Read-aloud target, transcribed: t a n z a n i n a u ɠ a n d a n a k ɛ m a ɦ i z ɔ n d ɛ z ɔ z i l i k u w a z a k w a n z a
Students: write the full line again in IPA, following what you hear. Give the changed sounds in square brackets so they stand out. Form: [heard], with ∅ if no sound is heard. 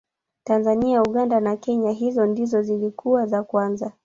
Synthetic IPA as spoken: t a n z a n i [∅] a u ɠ a n d a n a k ɛ [ɲ] a ɦ i z ɔ n d [i] z ɔ z i l i k u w a z a k w a n z a